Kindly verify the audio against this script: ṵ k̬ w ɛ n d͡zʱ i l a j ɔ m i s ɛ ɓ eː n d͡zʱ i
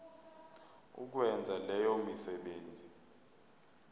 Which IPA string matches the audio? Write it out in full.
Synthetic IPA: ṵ k̬ w ɛ n d͡zʱ a l ɛ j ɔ m i s ɛ ɓ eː n d͡zʱ i

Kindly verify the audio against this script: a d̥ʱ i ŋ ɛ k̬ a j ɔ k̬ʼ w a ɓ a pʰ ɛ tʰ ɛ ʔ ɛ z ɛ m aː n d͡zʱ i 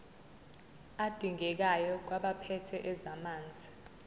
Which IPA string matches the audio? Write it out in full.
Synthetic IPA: a d̥ʱ i ŋ ɛ k̬ a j ɔ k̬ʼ w a ɓ a pʰ ɛ tʰ ɛ ʔ ɛ z a m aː n d͡zʱ i

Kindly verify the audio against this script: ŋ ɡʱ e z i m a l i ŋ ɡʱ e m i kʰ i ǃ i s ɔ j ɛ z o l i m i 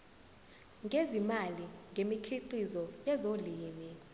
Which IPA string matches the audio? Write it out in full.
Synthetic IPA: ŋ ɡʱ e z i m a l i ŋ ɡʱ e m i kʰ i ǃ i z ɔ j ɛ z o l iː m i

